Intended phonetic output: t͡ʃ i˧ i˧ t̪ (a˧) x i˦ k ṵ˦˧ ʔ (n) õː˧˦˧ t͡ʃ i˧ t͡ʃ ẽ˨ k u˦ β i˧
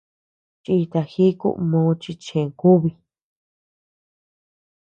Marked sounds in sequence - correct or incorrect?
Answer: correct, incorrect

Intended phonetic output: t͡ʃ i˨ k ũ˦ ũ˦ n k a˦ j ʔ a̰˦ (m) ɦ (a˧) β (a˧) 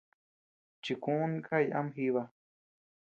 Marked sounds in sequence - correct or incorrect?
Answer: correct, incorrect, correct

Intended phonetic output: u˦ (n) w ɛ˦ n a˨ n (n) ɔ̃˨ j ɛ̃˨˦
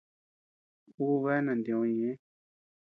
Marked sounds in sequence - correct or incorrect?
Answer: incorrect, incorrect

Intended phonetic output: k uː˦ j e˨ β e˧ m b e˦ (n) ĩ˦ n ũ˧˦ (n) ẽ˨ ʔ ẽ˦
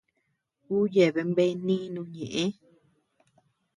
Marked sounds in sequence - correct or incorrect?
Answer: correct, incorrect

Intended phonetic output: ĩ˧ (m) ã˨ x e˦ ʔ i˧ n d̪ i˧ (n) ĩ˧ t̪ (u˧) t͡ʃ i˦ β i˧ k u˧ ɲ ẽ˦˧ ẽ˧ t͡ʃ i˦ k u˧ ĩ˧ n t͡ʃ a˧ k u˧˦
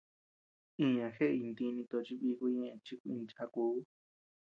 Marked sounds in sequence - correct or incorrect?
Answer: incorrect, correct, incorrect

